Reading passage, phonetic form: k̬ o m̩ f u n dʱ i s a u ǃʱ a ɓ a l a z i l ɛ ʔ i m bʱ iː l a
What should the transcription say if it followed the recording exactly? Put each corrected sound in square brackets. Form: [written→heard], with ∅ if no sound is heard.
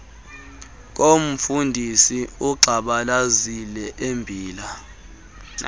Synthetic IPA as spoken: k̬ o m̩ f u n dʱ i s [a→i] u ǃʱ a ɓ a l a z i l ɛ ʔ [i→e] m bʱ iː l a